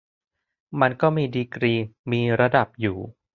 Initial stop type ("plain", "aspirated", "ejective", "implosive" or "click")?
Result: plain